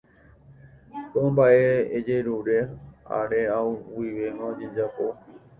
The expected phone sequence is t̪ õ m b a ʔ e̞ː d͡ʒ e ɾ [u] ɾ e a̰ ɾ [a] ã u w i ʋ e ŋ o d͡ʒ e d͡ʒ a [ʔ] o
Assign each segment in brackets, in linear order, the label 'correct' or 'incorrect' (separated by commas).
correct, incorrect, incorrect